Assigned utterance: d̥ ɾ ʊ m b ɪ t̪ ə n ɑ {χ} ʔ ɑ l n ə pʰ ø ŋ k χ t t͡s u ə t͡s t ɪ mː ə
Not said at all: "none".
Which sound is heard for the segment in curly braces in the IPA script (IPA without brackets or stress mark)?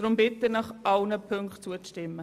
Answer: χ